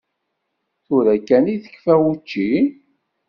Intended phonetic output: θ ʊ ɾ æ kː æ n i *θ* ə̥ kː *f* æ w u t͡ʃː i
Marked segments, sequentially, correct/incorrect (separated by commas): correct, correct